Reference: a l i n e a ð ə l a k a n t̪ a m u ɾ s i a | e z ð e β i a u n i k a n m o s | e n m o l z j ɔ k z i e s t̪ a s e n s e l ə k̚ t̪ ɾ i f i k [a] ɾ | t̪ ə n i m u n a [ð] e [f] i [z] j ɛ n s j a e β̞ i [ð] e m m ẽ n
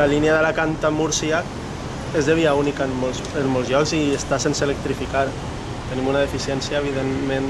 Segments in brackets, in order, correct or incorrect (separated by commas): correct, correct, correct, incorrect, correct